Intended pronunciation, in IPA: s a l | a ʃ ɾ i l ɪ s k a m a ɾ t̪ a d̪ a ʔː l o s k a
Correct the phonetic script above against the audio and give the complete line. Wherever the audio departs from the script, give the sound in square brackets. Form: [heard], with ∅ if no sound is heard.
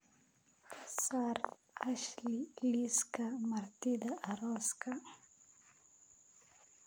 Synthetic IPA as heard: s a [ɾ] | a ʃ [l] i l [i] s k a m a ɾ t̪ [i] d̪ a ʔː [ɾ] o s k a